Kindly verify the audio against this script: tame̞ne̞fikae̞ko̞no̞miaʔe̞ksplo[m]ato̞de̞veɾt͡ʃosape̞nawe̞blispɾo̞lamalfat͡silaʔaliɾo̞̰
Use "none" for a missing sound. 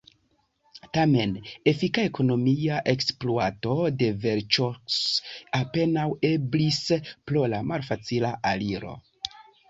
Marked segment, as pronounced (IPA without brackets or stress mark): none